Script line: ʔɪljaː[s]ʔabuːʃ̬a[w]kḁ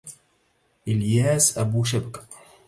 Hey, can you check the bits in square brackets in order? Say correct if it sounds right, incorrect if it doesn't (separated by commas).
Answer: correct, incorrect